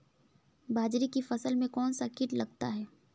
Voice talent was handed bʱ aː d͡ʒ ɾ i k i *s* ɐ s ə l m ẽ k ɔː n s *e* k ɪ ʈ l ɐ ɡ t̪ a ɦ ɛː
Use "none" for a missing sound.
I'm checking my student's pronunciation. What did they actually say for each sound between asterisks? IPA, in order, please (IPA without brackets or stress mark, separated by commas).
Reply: f, a